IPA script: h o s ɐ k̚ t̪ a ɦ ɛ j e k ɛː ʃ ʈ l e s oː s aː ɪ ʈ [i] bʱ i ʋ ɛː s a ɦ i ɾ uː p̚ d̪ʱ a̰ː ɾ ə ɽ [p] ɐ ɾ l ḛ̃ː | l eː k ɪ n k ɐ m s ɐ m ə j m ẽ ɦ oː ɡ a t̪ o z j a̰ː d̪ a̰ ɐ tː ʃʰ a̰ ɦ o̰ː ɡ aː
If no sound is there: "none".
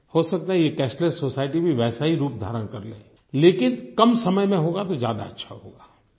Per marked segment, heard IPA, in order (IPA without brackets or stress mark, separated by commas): i, k